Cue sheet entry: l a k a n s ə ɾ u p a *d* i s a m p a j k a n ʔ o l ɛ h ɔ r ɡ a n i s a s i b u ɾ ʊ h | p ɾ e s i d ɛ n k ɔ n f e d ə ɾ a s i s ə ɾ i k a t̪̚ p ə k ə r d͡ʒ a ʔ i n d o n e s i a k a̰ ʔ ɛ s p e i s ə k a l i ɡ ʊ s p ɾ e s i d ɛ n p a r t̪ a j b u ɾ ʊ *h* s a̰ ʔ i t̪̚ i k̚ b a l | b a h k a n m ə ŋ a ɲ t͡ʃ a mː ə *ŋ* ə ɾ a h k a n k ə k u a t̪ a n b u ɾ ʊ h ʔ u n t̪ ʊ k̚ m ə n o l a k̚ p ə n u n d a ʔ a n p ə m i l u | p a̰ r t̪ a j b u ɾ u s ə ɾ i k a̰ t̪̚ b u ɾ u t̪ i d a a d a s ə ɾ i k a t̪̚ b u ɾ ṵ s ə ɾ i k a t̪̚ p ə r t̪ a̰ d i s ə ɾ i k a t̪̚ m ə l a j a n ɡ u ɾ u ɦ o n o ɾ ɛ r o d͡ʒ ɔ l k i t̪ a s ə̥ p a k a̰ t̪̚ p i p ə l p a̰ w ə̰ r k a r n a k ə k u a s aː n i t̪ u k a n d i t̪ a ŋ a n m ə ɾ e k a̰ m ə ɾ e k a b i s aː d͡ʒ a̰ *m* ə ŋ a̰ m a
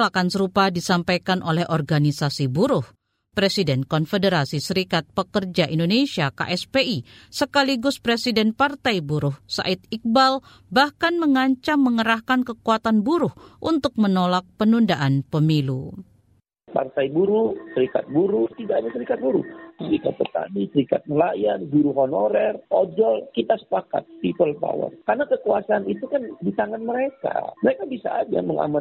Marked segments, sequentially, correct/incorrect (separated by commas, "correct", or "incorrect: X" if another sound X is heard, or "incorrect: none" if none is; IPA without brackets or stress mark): correct, correct, correct, correct